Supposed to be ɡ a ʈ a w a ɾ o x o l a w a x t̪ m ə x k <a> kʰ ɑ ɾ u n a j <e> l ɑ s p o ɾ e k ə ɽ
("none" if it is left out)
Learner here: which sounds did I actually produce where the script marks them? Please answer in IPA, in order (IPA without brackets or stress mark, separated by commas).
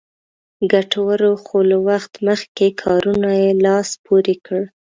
e, e